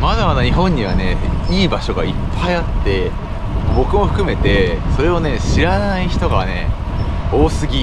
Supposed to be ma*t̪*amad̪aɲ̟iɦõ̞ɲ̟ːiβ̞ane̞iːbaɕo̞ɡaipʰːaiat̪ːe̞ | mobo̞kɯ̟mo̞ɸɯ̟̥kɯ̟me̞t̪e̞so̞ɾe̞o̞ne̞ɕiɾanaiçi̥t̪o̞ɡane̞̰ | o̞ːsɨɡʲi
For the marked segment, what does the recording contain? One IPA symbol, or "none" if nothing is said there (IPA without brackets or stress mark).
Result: d̪